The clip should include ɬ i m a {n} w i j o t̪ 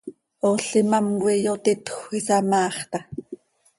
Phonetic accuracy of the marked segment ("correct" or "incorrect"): incorrect